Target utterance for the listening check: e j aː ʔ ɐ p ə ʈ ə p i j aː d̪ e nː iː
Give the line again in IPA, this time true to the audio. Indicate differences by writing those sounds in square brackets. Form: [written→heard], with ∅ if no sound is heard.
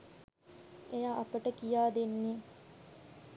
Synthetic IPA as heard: e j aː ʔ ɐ p ə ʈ ə [p→k] i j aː d̪ e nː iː